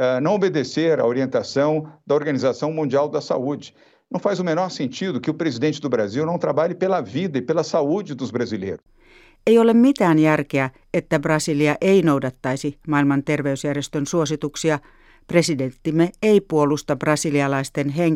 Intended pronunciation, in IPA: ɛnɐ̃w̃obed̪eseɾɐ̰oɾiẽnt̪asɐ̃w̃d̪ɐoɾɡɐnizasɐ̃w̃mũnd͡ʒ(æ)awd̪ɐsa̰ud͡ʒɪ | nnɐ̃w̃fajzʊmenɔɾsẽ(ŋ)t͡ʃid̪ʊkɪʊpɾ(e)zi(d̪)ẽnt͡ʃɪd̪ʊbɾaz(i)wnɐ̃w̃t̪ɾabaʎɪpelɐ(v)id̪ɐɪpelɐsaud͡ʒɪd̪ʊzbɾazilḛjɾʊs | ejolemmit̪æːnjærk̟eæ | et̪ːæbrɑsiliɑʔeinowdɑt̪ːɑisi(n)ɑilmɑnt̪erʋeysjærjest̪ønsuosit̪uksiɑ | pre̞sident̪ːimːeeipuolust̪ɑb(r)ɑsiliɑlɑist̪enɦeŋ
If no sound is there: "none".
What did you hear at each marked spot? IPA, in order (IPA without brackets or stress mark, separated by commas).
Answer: i, n, e, d̪, i, v, m, r